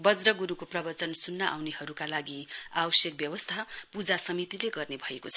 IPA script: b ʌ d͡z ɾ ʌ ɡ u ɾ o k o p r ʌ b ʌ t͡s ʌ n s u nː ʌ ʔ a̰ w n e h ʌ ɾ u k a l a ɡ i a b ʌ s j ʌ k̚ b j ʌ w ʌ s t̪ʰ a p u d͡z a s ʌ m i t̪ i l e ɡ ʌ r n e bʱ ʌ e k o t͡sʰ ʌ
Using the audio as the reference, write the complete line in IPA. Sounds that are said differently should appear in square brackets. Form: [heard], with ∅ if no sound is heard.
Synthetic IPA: b ʌ d͡z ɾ ʌ ɡ u ɾ [u] k o p r ʌ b ʌ t͡s ʌ n s u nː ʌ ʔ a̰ w n e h ʌ ɾ u k a l a ɡ i a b ʌ s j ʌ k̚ b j ʌ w ʌ s t̪ʰ a p u d͡z a s ʌ m i t̪ i l e ɡ ʌ r n e bʱ ʌ e k o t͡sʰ ʌ